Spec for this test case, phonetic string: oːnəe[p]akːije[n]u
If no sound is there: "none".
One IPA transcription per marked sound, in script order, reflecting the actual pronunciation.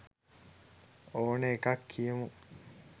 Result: k, m

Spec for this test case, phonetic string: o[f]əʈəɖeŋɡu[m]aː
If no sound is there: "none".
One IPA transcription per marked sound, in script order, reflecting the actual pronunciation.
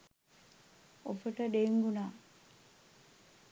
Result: f, n

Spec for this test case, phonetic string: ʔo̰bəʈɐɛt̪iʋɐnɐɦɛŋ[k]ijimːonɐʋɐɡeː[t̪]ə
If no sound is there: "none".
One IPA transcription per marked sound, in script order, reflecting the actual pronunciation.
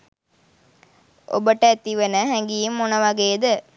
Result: ɡ, d̪

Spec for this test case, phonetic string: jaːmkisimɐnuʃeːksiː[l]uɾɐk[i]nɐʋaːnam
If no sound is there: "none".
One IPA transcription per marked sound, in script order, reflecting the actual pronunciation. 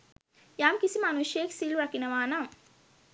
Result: l, i

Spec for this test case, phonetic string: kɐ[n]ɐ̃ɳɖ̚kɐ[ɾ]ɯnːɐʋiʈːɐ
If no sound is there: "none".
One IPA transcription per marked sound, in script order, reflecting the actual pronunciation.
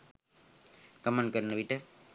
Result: m, ɾ

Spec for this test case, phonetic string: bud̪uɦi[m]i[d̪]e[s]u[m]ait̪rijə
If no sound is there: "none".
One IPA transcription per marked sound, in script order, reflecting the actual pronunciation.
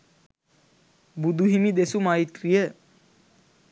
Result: m, d̪, s, m

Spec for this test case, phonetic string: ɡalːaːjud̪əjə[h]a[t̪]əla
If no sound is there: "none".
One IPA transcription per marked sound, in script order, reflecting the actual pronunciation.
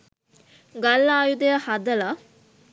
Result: h, d̪

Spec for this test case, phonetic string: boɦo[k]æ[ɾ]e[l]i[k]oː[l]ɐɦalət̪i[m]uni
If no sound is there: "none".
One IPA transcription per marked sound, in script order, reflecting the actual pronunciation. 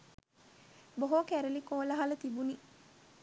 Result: k, ɾ, l, k, l, b

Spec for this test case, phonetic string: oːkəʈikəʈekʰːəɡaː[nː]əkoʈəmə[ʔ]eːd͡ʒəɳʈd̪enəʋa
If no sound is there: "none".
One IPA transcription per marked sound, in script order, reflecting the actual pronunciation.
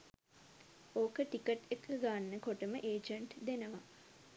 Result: nː, ʔ

